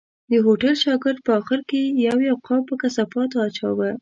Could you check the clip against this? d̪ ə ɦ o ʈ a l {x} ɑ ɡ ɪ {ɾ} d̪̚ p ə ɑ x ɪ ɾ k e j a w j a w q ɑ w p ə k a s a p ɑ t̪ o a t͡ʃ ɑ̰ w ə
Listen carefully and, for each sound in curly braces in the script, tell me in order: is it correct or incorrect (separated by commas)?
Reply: incorrect, correct